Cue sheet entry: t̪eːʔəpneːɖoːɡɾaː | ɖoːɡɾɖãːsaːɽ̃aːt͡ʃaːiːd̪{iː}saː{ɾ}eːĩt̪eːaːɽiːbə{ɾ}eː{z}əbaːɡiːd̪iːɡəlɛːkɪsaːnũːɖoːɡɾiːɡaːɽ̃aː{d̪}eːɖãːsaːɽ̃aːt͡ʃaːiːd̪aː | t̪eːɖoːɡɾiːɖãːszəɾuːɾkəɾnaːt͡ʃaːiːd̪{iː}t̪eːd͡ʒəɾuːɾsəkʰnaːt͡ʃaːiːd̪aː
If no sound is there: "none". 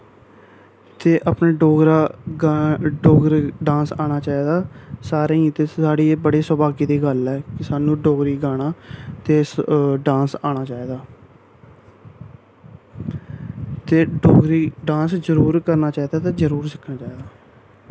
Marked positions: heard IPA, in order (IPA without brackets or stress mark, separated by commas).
aː, ɾ, ɽ, s, t̪, aː